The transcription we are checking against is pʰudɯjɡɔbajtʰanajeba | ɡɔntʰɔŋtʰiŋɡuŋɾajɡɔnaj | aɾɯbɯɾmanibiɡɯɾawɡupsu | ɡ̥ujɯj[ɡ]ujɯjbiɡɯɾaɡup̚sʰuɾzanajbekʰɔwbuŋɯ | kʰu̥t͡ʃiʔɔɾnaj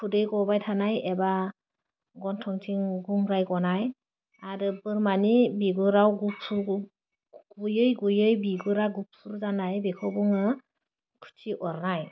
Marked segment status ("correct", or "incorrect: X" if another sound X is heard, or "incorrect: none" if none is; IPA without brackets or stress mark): correct